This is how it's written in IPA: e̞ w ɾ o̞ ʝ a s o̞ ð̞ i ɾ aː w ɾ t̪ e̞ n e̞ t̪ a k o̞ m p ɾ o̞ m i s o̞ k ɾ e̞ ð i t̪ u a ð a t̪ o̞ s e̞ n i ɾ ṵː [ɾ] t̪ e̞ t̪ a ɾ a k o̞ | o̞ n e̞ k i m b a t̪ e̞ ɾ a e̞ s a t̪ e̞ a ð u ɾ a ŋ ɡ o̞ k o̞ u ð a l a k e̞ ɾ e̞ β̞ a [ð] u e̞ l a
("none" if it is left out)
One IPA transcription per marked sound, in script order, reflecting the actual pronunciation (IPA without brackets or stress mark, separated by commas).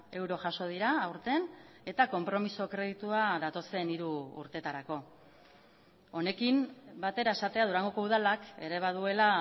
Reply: ɾ, ð